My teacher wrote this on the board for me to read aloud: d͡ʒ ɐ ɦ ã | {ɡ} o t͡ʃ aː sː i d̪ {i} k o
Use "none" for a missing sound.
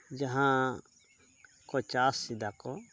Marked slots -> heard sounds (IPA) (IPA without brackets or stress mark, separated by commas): k, a